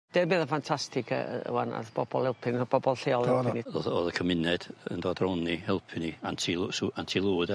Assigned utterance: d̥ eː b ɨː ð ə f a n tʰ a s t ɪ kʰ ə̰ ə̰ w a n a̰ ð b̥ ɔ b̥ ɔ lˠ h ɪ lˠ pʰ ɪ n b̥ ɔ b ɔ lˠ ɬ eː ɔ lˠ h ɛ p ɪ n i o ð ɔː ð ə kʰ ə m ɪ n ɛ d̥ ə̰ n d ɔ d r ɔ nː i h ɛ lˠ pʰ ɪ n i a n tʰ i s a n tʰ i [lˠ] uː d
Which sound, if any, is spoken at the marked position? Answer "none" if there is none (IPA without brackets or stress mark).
lˠ